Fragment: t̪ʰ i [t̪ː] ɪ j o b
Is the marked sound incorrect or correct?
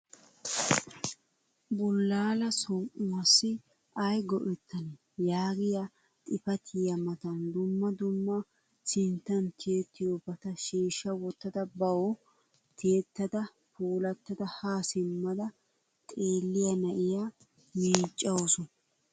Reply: correct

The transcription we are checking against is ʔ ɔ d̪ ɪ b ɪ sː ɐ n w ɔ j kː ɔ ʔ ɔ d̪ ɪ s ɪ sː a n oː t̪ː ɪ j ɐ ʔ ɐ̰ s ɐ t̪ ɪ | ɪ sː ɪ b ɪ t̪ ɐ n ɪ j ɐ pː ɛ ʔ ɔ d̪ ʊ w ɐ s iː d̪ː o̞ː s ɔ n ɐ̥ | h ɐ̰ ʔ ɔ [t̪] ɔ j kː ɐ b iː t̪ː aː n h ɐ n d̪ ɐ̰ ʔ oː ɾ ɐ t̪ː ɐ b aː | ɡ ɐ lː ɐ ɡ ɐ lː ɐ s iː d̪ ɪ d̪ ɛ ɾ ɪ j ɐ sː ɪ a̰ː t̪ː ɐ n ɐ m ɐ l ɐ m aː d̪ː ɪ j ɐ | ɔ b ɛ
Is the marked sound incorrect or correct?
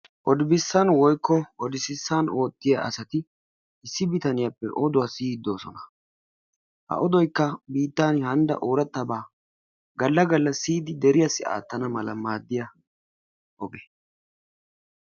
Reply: incorrect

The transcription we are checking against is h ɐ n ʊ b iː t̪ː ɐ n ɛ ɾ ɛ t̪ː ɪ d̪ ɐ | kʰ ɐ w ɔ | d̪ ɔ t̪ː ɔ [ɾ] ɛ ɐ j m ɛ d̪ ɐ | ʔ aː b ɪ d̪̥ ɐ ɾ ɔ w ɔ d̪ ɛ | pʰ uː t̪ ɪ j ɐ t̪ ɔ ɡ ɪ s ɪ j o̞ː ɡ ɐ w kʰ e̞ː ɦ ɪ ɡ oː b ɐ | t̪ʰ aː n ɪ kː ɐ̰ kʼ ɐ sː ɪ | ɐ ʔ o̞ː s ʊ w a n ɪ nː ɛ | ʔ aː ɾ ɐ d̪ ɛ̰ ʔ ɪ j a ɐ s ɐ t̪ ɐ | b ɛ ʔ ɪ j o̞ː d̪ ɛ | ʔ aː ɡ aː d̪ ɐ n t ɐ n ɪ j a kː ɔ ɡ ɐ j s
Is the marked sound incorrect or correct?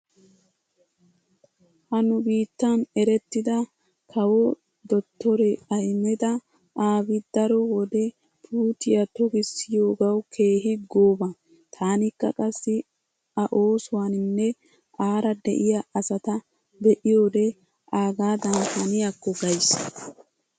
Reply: correct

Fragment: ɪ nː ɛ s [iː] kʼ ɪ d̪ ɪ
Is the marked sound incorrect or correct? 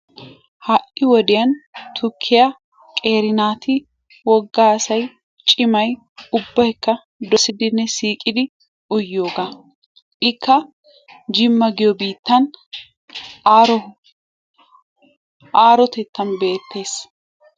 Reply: correct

